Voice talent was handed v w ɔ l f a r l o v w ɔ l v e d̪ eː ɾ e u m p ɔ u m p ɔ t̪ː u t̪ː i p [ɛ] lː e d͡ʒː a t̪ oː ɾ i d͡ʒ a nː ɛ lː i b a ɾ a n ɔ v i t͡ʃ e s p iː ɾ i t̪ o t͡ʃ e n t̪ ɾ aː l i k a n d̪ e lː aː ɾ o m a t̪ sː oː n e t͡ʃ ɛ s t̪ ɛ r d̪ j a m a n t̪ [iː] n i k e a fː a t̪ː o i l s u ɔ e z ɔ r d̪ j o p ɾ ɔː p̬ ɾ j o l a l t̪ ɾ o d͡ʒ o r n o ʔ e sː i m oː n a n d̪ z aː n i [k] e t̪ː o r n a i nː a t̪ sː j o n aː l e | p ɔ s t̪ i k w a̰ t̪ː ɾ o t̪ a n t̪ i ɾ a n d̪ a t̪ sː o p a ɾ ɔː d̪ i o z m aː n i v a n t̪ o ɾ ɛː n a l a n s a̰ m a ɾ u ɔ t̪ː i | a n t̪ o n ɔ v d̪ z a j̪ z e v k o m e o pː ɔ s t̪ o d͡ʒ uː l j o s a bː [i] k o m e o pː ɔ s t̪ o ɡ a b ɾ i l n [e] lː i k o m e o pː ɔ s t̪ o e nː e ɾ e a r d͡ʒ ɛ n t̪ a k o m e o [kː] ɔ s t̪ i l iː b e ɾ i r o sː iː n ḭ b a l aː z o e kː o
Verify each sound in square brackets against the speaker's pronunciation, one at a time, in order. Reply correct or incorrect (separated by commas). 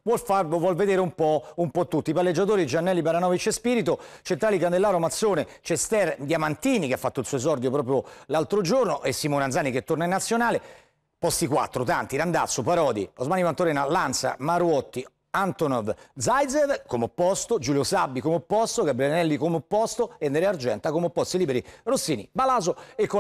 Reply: incorrect, correct, correct, correct, incorrect, incorrect